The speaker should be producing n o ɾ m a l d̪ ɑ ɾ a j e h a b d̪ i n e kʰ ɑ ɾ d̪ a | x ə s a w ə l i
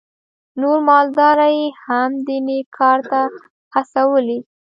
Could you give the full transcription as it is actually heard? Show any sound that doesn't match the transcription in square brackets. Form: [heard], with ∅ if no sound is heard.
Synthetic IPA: n o ɾ m [ɑ] l d̪ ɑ ɾ a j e h a [m] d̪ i n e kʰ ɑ ɾ [t̪] a | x [a] s a w ə l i